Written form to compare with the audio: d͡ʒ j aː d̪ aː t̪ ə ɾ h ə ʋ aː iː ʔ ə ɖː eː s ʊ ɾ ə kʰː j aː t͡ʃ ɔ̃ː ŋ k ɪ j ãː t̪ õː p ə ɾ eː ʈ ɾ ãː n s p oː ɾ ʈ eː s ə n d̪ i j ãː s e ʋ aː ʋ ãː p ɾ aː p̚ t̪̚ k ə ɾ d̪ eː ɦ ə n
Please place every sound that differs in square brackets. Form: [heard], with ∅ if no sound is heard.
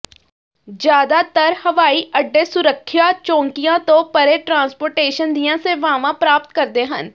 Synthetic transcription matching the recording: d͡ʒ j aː d̪ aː t̪ ə ɾ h ə ʋ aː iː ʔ ə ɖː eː s ʊ ɾ ə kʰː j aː t͡ʃ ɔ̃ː ŋ k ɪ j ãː t̪ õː p ə ɾ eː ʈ ɾ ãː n s p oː ɾ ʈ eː [ʃ] ə n d̪ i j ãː s e ʋ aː ʋ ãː p ɾ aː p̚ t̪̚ k ə ɾ d̪ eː ɦ ə n